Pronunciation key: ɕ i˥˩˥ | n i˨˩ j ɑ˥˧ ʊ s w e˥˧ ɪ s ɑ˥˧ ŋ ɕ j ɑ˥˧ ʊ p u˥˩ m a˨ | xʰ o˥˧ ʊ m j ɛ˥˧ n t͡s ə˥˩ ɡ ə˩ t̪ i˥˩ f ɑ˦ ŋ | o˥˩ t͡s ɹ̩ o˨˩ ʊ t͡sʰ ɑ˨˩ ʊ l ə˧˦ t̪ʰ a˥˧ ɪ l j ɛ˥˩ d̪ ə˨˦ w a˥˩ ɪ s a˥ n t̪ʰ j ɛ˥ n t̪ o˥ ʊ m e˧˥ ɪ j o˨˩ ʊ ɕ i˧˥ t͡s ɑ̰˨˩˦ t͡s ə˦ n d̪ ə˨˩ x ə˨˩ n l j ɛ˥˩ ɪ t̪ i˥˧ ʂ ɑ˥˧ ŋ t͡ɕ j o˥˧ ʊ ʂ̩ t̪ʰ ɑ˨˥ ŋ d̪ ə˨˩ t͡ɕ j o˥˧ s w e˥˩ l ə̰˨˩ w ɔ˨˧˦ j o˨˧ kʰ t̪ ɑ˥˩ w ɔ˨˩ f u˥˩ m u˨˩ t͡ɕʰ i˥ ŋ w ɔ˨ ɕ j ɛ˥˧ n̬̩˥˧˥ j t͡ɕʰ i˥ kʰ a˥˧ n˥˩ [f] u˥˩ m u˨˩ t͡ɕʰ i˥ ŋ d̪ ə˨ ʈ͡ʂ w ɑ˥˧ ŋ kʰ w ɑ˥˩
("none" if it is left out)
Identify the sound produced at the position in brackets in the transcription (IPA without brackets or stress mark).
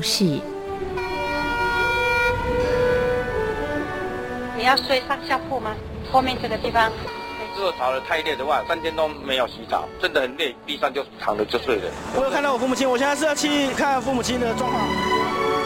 f